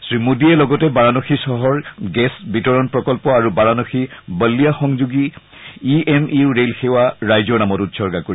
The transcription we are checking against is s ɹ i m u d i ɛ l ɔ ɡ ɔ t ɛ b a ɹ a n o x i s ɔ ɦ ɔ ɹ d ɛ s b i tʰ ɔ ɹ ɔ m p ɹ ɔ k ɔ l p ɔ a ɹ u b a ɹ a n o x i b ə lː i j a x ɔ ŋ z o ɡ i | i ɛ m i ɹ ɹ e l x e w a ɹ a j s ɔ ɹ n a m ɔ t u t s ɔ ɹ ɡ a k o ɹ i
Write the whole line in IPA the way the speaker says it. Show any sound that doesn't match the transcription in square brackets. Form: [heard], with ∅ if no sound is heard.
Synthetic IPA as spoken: s ɹ i m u d i ɛ l ɔ ɡ ɔ t ɛ b a ɹ a n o x i s ɔ ɦ ɔ ɹ [ɡ] ɛ s b i [t] ɔ ɹ ɔ [n] p ɹ ɔ k ɔ l p ɔ a ɹ u b a ɹ a n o x i b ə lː i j a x ɔ ŋ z [u] ɡ i | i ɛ m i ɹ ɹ e l x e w a ɹ a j [z] ɔ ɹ n a m ɔ t u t s ɔ ɹ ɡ a k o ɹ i